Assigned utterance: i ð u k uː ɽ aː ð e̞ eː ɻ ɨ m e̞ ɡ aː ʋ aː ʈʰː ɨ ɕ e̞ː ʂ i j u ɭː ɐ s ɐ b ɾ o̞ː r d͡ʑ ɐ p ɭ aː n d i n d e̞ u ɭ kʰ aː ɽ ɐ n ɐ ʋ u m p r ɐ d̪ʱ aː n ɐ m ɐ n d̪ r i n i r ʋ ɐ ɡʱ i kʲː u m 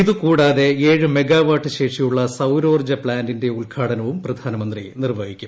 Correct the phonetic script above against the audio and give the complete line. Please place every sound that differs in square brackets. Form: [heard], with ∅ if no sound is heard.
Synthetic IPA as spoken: i ð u k uː ɽ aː ð e̞ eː ɻ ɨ m e̞ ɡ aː ʋ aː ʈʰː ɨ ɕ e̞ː ʂ i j u ɭː ɐ s ɐ [w] ɾ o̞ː r d͡ʑ ɐ p ɭ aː n d i n d e̞ u ɭ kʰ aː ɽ ɐ n ɐ ʋ u m p r ɐ d̪ʱ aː n ɐ m ɐ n d̪ r i n i r ʋ ɐ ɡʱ i kʲː u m